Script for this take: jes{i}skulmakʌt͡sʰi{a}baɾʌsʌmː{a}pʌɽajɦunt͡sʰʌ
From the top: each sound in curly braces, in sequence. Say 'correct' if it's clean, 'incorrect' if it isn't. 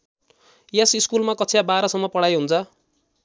correct, correct, incorrect

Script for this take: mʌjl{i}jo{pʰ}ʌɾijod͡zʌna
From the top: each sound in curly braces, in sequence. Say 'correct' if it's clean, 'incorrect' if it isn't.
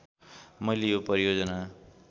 incorrect, incorrect

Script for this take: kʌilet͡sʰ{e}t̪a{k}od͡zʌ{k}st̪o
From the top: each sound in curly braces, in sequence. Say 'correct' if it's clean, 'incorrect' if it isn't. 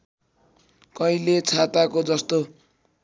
incorrect, correct, incorrect

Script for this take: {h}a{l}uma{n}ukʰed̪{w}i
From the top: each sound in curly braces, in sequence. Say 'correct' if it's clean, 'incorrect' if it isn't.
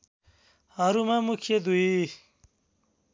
correct, incorrect, incorrect, incorrect

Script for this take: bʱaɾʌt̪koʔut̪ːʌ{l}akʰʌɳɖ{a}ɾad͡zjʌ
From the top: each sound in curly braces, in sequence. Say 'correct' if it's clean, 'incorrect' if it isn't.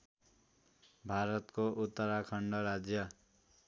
incorrect, incorrect

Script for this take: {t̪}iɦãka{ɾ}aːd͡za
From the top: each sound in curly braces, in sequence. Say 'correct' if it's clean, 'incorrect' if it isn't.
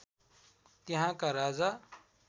correct, correct

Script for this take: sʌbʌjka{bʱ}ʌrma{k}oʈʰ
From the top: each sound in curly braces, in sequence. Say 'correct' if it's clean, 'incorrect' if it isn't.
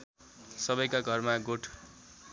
incorrect, incorrect

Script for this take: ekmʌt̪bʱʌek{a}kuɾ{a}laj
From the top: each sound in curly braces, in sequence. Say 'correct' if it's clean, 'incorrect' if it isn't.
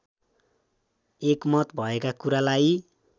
correct, correct

